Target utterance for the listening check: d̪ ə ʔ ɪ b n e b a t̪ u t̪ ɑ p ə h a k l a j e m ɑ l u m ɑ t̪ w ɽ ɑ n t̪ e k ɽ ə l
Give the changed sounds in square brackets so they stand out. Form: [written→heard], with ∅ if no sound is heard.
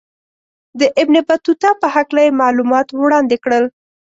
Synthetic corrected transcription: d̪ ə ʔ ɪ b n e b a t̪ u t̪ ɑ p ə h a k l a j e m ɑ l u m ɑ t̪ w ɽ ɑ n [t̪→d̪] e k ɽ ə l